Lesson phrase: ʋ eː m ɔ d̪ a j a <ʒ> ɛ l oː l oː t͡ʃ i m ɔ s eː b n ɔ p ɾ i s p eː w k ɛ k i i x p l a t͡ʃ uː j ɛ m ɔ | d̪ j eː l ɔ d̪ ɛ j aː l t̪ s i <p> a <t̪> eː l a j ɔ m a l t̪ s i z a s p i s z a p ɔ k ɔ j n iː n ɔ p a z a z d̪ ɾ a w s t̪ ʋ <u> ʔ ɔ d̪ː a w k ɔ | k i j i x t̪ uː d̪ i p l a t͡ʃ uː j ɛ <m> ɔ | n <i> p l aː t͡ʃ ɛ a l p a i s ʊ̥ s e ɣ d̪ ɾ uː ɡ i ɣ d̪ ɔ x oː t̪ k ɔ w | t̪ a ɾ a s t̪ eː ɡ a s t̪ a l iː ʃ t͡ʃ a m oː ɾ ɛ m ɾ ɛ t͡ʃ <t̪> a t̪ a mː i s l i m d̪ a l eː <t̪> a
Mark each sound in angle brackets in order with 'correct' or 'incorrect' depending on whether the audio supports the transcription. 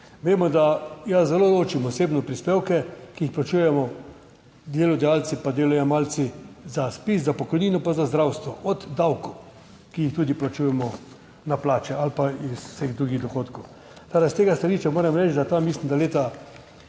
incorrect: z, correct, incorrect: d̪, incorrect: ɔ, correct, incorrect: a, incorrect: d̪, correct

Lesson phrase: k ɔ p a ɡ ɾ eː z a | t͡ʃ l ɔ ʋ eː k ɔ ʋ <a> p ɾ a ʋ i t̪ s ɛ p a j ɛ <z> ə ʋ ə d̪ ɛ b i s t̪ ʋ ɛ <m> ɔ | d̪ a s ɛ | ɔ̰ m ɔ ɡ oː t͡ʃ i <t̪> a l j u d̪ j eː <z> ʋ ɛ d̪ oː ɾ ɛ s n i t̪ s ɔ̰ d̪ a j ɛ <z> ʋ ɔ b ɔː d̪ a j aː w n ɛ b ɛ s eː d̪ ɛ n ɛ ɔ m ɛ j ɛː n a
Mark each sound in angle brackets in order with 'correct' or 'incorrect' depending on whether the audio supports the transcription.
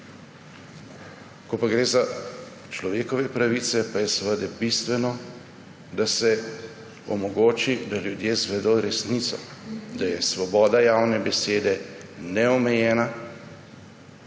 incorrect: ɛ, incorrect: s, incorrect: n, incorrect: d̪, correct, incorrect: s

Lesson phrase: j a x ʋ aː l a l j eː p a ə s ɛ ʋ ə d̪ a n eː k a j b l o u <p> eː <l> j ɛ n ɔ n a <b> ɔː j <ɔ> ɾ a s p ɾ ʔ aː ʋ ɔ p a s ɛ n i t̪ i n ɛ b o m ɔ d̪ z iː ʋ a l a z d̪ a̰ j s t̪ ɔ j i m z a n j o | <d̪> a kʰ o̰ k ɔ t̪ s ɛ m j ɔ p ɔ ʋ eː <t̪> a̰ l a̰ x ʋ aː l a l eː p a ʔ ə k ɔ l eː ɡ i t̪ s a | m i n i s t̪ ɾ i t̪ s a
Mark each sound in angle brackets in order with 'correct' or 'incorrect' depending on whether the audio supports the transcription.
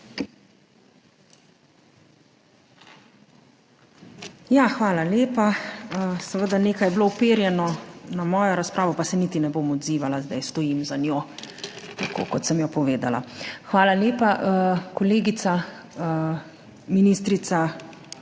correct, incorrect: ɾ, incorrect: m, correct, incorrect: t̪, incorrect: d̪

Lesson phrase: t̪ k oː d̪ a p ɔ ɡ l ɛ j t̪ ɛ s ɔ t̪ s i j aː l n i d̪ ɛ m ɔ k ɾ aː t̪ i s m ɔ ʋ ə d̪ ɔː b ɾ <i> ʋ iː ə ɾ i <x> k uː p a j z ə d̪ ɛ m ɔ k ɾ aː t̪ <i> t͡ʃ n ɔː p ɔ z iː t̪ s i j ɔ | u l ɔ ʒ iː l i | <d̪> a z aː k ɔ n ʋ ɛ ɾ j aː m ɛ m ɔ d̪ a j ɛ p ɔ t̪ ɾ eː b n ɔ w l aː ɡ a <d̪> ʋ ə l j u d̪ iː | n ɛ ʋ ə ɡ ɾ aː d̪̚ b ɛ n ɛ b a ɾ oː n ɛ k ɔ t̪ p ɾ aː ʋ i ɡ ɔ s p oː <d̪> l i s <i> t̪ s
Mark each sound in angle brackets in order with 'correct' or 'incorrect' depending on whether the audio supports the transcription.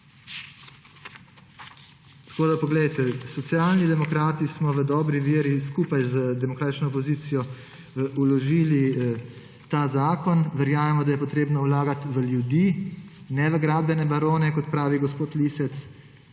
correct, incorrect: s, correct, incorrect: t̪, incorrect: t̪, incorrect: t̪, incorrect: ɛ

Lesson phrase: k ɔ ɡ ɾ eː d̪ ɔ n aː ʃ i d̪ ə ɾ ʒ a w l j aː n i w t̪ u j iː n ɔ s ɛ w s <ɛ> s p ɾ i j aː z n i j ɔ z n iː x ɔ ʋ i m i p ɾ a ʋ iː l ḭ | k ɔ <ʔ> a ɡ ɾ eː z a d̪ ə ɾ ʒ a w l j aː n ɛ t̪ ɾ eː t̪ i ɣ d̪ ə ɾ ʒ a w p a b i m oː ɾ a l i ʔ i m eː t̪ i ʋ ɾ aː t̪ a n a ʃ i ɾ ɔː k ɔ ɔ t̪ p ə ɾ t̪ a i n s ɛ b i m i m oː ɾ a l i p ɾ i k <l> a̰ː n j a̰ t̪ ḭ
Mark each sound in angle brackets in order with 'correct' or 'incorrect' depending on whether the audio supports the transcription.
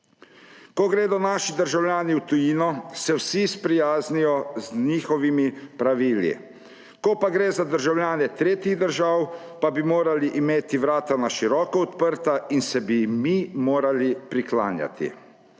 incorrect: i, incorrect: p, correct

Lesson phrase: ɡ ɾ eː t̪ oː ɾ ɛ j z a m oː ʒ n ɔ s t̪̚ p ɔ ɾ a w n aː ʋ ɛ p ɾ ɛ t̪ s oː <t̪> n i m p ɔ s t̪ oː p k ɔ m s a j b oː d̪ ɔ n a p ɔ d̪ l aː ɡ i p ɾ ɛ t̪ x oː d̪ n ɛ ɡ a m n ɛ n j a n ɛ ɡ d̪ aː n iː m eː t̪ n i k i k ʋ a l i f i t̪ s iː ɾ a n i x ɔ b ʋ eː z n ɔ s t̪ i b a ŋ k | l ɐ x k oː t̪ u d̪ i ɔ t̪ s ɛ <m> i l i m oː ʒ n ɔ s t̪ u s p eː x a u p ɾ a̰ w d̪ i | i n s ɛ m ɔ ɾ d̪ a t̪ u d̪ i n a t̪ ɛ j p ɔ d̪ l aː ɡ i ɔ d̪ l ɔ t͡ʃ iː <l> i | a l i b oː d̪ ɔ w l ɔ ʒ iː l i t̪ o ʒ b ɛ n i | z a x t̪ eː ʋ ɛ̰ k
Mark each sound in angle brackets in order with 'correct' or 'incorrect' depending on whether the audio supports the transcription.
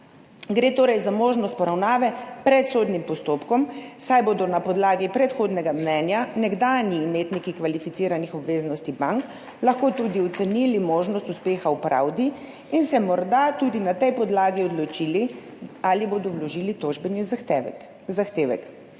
incorrect: d̪, incorrect: n, correct

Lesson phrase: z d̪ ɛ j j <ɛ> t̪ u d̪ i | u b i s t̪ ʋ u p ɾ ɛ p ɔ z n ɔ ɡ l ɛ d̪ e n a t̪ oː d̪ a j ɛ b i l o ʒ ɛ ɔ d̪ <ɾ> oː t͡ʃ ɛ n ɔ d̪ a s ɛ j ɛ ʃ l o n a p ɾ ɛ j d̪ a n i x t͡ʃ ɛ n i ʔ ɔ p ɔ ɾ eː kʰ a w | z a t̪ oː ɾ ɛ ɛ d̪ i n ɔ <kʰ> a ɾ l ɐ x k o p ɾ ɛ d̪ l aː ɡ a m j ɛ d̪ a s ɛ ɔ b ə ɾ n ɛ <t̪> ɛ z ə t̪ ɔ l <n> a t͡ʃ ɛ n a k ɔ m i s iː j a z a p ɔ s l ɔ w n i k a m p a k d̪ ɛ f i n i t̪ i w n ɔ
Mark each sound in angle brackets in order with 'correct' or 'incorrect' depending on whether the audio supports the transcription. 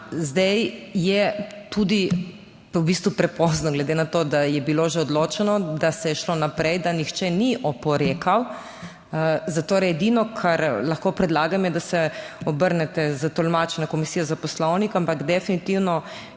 correct, incorrect: l, correct, correct, incorrect: m

